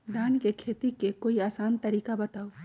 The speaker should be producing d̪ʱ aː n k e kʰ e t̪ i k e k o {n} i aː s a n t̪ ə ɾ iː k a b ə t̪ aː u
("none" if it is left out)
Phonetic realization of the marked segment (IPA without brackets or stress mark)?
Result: none